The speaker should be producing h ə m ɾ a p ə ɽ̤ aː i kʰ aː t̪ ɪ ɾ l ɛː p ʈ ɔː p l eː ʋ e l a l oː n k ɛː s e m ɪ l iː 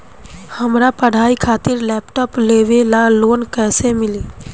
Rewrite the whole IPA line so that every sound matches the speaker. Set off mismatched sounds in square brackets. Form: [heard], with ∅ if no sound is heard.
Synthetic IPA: h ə m ɾ a p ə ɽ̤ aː i kʰ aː t̪ ɪ ɾ l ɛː p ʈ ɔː p l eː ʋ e l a l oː n k ɛː s e m ɪ l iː